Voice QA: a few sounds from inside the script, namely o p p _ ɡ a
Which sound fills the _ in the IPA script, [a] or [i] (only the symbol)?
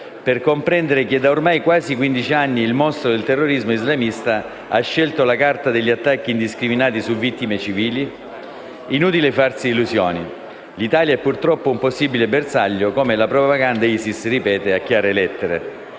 a